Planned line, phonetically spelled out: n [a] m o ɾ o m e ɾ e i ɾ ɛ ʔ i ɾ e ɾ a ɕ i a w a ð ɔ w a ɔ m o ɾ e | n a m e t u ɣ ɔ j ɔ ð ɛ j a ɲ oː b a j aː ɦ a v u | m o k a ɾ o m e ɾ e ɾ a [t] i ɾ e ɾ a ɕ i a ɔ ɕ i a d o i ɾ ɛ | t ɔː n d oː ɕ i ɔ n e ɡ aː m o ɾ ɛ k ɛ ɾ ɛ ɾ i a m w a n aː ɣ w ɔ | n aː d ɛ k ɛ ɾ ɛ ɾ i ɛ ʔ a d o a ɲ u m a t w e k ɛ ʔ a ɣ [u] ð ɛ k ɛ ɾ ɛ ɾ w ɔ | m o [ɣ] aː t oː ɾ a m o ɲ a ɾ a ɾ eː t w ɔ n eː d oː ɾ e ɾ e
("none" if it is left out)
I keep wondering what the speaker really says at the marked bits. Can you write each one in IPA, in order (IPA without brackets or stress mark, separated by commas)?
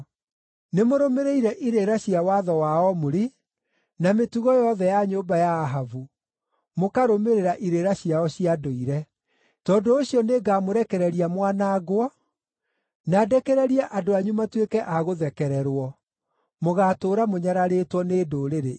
e, ʔ, o, ɣ